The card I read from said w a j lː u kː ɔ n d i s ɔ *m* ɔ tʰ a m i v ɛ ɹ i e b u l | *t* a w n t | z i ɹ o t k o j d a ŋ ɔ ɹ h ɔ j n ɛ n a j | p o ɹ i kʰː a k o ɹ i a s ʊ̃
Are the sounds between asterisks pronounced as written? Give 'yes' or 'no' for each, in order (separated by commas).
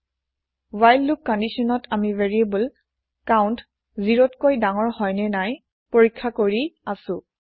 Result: no, no